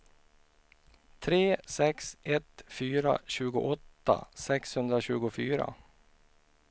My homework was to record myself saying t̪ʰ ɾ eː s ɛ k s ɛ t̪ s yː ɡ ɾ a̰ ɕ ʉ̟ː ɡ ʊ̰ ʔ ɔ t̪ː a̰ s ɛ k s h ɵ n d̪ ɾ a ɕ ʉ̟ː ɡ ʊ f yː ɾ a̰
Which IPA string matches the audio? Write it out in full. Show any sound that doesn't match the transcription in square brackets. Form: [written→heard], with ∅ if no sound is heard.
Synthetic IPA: t̪ʰ ɾ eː s ɛ k s ɛ t̪ [s→f] yː [ɡ→∅] ɾ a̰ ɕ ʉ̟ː ɡ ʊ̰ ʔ ɔ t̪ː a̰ s ɛ k s h ɵ n d̪ ɾ a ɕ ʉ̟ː ɡ ʊ f yː ɾ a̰